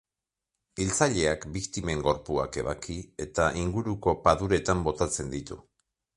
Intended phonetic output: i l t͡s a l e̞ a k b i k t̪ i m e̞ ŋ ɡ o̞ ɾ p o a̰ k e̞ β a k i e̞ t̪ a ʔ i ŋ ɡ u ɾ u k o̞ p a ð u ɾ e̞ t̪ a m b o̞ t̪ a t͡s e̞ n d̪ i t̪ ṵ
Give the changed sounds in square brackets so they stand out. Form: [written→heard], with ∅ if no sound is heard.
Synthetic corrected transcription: i l t͡s a [l→ʎ] e̞ a k b i k t̪ i m e̞ ŋ ɡ o̞ ɾ p [o→u] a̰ k e̞ β a k i e̞ t̪ a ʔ i ŋ ɡ u ɾ u k o̞ p a ð u ɾ e̞ t̪ a m b o̞ t̪ a t͡s e̞ n d̪ i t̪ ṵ